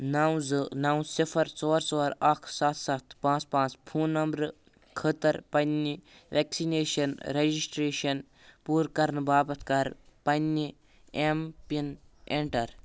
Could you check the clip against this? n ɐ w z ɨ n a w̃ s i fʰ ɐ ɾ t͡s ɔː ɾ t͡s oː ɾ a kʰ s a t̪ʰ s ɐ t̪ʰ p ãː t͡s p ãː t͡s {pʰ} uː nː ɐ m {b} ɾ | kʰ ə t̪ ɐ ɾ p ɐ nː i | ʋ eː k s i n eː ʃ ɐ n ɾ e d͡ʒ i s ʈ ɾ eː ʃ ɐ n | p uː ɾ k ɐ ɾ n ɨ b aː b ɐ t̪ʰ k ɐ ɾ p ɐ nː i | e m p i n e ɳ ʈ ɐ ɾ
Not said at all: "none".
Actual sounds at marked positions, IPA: pʰ, b

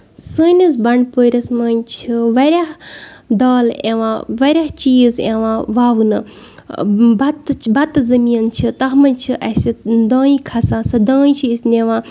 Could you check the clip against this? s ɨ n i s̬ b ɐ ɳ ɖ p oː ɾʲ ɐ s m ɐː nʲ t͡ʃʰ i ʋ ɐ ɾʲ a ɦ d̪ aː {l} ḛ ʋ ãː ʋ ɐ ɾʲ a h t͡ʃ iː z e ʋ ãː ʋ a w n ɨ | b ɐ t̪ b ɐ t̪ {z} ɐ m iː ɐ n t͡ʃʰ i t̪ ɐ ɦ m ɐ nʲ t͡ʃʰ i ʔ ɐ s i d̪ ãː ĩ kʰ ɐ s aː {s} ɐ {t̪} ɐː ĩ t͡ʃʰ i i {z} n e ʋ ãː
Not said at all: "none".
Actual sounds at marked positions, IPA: l, z, s, d̪, s

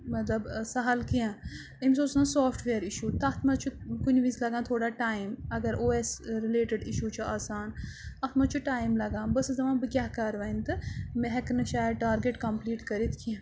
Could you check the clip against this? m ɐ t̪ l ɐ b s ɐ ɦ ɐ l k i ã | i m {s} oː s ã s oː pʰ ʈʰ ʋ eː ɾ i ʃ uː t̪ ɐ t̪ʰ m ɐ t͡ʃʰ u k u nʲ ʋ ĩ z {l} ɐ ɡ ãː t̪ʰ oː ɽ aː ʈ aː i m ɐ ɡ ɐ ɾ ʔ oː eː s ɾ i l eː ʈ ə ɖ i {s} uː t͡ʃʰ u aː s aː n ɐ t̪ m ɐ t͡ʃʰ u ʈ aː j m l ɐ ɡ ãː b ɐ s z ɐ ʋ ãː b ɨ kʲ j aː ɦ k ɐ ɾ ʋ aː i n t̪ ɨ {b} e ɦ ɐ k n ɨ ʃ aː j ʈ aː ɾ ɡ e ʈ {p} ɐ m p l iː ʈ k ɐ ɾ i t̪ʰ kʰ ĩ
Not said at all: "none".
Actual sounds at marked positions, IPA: s, l, ʃ, m, k

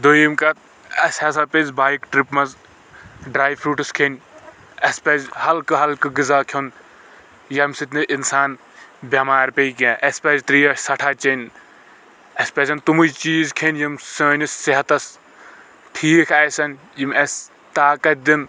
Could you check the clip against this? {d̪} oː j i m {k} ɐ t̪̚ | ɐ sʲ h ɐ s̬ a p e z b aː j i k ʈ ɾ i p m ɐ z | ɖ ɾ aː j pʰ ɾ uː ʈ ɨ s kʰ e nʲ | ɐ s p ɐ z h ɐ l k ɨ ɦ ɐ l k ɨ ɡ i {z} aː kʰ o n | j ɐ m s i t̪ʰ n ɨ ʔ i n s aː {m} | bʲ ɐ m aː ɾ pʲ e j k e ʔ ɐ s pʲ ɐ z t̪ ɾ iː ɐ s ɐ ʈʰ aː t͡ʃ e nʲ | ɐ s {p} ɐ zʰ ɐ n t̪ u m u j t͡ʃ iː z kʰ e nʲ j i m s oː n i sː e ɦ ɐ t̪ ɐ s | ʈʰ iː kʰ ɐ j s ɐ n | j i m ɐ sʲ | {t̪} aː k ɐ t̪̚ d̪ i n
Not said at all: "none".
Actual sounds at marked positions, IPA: d̪, k, z, n, p, t̪

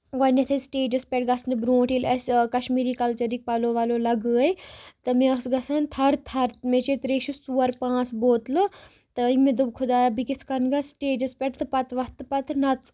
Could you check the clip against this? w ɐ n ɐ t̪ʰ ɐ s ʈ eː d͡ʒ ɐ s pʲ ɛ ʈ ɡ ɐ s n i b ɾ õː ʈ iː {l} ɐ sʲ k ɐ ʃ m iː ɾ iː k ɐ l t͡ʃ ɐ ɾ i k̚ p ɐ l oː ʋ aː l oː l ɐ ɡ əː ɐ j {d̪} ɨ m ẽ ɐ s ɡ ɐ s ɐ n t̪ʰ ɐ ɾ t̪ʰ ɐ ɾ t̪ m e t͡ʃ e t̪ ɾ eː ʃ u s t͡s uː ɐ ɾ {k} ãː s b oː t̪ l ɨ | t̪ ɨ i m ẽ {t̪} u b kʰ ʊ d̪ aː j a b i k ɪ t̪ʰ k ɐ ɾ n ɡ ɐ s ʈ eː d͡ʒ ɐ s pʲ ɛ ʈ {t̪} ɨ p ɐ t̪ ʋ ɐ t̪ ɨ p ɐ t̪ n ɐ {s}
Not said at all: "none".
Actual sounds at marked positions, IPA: l, t̪, p, d̪, t̪, t͡s

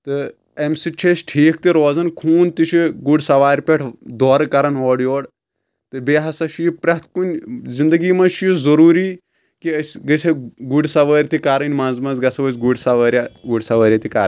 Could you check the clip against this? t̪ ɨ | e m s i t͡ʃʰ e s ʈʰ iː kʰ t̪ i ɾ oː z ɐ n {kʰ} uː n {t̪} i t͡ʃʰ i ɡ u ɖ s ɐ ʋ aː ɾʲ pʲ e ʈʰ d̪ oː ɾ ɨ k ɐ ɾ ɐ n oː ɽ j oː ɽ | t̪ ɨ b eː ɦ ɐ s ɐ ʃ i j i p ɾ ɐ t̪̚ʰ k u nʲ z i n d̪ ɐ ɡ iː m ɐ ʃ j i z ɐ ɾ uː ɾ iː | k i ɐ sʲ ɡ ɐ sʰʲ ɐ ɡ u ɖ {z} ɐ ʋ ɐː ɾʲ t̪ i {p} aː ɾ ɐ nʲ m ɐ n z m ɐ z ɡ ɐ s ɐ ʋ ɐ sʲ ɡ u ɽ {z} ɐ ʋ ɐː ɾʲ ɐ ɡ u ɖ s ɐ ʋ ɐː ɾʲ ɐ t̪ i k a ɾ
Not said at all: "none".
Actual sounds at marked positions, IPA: kʰ, t̪, s, k, s

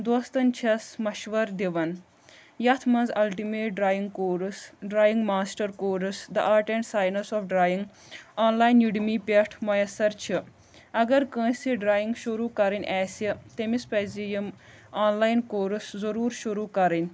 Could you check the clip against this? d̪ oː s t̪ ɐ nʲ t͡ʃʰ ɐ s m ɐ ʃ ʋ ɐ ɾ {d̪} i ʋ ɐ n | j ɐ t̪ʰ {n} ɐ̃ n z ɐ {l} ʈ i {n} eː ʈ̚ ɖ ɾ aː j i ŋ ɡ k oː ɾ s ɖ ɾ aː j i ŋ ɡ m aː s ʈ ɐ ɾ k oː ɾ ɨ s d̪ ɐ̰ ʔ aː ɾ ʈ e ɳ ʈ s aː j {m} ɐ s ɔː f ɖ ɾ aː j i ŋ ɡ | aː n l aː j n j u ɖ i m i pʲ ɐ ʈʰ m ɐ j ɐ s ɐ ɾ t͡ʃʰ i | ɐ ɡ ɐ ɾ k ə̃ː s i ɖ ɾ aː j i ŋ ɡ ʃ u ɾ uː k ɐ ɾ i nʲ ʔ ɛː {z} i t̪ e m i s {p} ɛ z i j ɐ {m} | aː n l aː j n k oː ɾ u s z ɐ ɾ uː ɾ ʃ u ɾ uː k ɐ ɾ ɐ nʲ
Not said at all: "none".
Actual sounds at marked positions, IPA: d̪, m, l, m, n, s, p, m

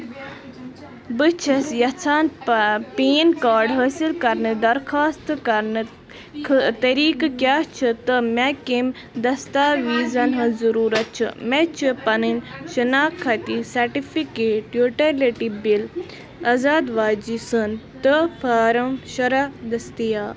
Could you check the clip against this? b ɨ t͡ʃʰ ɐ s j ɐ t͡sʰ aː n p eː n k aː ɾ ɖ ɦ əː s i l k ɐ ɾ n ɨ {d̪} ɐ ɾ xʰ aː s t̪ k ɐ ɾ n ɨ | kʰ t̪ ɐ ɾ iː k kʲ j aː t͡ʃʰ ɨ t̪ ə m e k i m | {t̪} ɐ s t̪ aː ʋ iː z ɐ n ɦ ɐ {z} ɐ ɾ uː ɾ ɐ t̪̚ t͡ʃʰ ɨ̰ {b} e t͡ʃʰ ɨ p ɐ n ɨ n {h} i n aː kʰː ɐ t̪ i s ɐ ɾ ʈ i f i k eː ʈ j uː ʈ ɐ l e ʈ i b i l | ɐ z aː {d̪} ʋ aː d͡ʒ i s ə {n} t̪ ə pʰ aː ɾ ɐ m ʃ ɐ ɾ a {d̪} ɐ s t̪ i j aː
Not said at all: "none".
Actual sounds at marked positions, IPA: d̪, d̪, z, m, ʃ, d̪, n, d̪

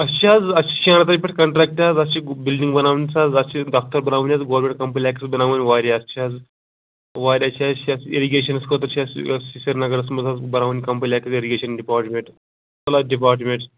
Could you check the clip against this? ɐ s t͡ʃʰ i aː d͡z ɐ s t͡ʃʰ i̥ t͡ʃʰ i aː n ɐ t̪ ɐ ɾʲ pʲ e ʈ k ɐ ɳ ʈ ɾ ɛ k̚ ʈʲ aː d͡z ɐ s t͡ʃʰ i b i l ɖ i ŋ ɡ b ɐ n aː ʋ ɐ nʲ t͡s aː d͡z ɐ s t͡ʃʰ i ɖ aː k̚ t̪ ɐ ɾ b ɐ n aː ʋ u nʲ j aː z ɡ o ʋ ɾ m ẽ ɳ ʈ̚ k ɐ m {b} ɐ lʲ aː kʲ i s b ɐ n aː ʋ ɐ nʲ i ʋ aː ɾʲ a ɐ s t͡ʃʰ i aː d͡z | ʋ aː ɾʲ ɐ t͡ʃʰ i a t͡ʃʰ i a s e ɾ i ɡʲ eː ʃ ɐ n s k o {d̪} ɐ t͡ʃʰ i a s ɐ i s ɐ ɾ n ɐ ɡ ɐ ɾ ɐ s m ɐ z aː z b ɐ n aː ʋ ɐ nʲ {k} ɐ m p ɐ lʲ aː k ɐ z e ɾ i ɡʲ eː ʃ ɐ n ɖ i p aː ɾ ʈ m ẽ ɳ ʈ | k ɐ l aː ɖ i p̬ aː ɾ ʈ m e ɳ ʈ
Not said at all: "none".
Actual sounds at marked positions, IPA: p, t̪, k

